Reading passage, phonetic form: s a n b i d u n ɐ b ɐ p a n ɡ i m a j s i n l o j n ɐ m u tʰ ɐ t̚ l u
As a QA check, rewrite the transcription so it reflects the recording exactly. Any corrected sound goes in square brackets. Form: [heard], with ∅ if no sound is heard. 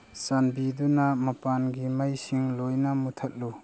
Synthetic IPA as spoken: s a n b i d u n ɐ [m] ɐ p a n ɡ i m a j s i [ŋ] l o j n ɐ m u tʰ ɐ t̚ l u